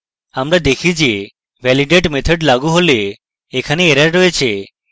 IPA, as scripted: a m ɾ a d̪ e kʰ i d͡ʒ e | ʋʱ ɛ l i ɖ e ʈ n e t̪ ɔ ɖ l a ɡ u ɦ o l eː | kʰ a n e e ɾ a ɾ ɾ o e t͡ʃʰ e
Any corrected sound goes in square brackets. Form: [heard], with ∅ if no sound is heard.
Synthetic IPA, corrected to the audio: a m ɾ a d̪ e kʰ i d͡ʒ e | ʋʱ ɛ l i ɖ e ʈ [m] e [t̪ʰ] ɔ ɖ l a ɡ u ɦ o l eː | kʰ a n e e ɾ a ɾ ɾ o e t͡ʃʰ e

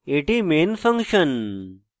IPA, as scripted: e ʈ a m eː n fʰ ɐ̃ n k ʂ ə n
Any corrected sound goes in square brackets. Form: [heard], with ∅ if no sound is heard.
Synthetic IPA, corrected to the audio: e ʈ [i] m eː n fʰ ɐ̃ [ŋ] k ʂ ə n

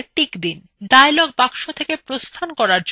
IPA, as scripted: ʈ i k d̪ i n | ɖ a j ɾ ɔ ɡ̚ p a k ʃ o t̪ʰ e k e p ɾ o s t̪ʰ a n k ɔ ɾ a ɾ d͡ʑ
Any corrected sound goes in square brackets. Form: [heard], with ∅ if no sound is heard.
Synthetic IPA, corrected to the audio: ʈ i k d̪ i n | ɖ a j [l] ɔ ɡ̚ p a k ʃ o t̪ʰ e k e p ɾ o s t̪ʰ a n k ɔ ɾ a ɾ d͡ʑ

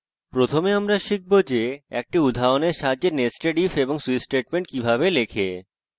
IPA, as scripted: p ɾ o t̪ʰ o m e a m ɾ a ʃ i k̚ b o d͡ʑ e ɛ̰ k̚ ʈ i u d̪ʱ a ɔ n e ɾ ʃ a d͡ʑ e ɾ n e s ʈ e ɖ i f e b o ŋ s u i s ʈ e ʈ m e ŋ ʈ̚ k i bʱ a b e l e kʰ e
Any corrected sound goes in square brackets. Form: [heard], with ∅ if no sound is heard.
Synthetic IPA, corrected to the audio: p ɾ o t̪ʰ o m e a m ɾ a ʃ i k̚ b o d͡ʑ e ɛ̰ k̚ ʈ i u d̪ʱ a [o] n e ɾ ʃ a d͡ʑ e ɾ n e s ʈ e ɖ i f e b o ŋ s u i s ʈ e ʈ m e [ɳ] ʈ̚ k i bʱ a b e l e kʰ e

